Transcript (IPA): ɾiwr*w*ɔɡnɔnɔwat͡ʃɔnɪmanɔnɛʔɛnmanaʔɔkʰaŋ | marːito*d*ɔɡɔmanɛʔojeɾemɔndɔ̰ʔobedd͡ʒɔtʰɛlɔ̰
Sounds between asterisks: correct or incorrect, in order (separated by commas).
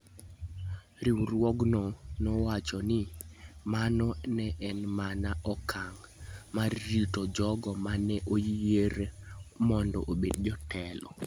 correct, incorrect